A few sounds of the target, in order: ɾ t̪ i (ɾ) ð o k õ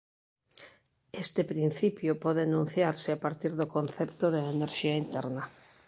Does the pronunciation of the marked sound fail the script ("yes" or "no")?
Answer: no